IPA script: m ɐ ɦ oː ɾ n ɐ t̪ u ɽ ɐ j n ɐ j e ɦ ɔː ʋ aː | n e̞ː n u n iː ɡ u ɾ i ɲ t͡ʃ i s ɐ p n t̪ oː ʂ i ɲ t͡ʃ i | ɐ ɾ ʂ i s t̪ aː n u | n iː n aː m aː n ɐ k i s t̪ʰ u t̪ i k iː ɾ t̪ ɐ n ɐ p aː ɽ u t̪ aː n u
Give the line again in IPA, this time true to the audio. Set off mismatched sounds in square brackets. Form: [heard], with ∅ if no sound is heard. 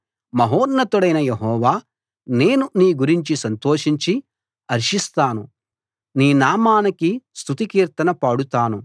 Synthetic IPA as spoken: m ɐ ɦ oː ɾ n ɐ t̪ u ɽ ɐ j n ɐ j e ɦ ɔː ʋ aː | n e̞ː n u n iː ɡ u ɾ i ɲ t͡ʃ i s ɐ [∅] n t̪ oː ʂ i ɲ t͡ʃ i | ɐ ɾ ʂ i s t̪ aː n u | n iː n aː m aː n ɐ k i s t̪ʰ u t̪ i k iː ɾ t̪ ɐ n ɐ p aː ɽ u t̪ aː n u